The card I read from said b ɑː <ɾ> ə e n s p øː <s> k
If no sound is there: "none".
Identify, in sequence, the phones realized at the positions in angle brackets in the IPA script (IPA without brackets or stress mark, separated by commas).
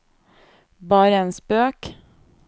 ɾ, none